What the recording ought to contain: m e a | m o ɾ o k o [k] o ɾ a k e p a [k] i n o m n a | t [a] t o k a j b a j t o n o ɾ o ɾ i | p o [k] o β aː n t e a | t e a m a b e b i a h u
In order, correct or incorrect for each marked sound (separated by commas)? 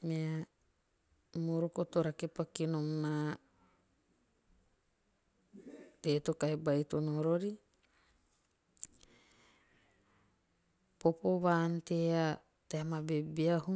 incorrect, correct, incorrect, incorrect